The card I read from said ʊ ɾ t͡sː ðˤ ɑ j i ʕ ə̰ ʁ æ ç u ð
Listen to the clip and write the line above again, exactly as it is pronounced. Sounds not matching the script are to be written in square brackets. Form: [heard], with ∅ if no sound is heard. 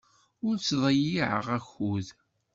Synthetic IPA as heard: ʊ ɾ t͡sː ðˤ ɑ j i ʕ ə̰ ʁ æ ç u ð